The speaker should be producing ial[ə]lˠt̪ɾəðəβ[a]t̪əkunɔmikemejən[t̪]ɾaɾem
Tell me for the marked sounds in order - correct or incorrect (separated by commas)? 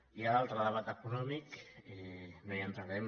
incorrect, correct, correct